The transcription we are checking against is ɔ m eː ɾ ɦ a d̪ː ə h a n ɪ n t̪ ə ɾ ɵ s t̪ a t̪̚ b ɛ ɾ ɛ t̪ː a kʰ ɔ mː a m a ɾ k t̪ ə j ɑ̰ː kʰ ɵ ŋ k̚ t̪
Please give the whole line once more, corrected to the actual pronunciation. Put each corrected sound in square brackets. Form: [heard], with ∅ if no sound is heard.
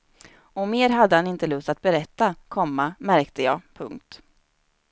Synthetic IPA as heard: ɔ m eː ɾ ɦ a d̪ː ə h a n ɪ n t̪ ə [l] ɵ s t̪ a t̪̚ b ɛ ɾ ɛ t̪ː a kʰ ɔ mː a m [æ] ɾ k t̪ ə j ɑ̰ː [pʰ] ɵ ŋ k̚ t̪